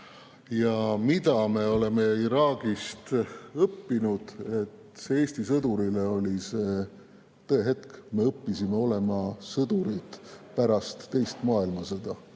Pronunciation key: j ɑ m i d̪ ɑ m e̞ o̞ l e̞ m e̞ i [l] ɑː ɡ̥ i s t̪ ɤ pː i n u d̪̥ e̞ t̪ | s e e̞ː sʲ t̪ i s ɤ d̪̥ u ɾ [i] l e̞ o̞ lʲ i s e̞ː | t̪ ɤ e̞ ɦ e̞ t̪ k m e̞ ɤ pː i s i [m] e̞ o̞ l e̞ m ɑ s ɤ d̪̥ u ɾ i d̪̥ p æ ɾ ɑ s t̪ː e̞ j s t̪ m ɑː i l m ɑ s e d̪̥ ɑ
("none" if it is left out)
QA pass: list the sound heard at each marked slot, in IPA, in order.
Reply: ɾ, i, m

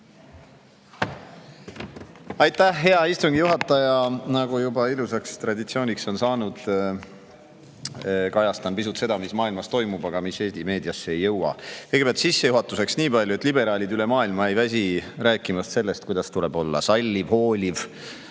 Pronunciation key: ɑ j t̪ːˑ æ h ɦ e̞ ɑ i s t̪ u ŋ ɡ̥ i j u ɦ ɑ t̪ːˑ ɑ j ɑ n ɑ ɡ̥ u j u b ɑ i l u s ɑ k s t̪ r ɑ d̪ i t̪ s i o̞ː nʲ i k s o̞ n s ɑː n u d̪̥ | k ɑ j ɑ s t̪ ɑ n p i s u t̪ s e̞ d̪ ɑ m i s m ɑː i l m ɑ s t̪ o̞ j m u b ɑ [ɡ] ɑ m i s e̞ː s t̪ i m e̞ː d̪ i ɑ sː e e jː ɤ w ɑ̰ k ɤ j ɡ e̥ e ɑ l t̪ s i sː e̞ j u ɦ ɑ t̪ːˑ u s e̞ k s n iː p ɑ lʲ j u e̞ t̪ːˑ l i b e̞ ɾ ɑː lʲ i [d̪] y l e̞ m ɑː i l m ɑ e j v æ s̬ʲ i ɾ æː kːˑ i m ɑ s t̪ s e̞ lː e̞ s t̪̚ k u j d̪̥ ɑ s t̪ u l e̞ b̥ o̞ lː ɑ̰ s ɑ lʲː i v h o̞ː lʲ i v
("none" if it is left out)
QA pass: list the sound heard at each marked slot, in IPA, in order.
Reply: ɡ, d̪

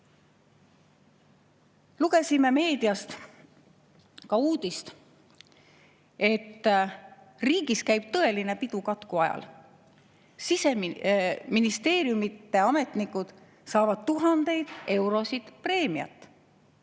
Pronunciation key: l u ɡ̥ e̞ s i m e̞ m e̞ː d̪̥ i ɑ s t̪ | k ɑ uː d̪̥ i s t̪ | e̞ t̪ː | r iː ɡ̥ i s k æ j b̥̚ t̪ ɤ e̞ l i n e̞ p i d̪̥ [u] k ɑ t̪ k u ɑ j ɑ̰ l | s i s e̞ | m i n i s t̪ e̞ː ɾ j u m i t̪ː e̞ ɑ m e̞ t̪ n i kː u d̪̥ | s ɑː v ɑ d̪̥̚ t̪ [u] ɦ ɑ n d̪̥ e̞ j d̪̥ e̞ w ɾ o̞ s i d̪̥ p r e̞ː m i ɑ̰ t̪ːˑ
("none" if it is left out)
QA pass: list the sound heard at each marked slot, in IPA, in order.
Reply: u, u

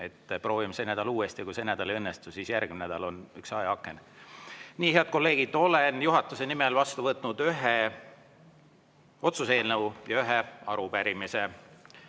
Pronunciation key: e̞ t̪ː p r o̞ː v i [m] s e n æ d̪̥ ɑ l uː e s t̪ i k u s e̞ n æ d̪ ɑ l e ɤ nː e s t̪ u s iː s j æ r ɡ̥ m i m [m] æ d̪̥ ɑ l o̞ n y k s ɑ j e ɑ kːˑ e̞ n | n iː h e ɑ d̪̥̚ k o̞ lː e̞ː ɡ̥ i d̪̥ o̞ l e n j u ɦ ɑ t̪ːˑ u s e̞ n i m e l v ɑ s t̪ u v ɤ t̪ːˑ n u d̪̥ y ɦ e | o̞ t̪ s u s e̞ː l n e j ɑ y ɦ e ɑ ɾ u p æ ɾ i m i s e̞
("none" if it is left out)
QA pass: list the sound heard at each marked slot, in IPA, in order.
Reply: m, n

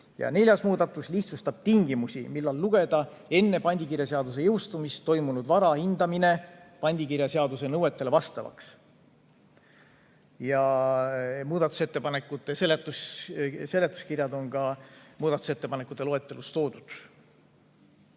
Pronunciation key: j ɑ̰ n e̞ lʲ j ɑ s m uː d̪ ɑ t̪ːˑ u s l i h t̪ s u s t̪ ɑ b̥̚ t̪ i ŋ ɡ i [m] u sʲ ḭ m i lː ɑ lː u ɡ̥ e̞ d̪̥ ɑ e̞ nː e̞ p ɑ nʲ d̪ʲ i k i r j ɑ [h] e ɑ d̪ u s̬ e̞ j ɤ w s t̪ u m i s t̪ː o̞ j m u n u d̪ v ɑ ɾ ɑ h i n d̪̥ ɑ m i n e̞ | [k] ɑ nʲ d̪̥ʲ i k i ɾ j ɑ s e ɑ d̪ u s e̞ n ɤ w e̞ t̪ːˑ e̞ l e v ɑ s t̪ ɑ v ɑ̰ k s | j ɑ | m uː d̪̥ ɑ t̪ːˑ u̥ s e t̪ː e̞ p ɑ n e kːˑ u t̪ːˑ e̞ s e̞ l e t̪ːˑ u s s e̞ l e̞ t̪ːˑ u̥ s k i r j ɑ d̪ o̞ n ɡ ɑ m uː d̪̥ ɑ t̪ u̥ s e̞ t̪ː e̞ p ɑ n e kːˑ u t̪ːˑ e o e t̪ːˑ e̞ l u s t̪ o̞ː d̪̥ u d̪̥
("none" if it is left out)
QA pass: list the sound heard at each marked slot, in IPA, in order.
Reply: m, s, p

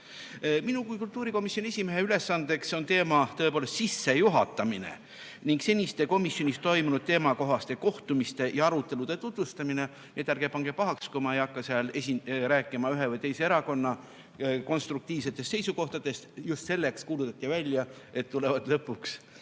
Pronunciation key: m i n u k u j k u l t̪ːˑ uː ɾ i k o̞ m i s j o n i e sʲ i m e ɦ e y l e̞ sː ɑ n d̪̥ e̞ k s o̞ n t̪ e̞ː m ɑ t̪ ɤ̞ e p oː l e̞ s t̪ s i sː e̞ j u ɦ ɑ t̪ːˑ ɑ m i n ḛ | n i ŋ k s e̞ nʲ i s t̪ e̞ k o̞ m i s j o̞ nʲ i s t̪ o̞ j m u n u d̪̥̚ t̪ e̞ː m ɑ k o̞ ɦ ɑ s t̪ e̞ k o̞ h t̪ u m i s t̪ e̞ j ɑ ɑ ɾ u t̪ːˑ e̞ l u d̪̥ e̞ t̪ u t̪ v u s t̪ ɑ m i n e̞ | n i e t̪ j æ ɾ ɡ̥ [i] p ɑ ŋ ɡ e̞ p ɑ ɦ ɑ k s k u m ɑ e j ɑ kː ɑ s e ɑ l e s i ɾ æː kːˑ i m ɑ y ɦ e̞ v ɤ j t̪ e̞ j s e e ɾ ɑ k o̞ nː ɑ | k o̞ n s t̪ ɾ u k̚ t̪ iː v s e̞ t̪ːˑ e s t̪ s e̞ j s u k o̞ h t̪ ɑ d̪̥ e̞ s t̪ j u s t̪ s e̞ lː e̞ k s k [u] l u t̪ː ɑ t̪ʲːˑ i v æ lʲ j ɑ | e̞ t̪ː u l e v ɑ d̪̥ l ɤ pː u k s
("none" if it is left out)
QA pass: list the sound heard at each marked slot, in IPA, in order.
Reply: e, uː

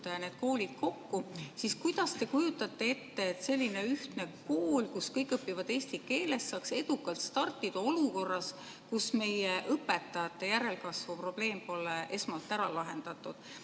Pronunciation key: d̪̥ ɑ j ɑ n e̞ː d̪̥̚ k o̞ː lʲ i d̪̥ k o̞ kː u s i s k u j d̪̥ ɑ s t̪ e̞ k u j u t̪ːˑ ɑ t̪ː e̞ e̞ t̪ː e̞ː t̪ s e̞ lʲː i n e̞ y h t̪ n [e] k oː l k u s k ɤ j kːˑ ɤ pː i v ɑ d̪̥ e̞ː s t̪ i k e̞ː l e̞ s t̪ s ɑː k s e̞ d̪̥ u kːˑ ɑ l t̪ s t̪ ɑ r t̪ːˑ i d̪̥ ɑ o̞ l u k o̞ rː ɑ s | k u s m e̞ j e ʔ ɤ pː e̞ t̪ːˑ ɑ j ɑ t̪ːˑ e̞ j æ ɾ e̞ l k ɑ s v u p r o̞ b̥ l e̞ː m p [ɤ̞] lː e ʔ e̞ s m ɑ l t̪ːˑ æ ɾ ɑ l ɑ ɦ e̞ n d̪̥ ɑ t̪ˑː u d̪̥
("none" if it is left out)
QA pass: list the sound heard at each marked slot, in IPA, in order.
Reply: e, o̞

